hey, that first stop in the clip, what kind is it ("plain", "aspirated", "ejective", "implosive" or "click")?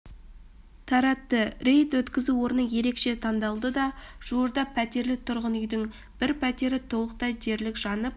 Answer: aspirated